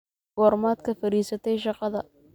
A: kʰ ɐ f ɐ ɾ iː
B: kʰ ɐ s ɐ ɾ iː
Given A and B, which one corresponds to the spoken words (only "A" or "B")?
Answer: A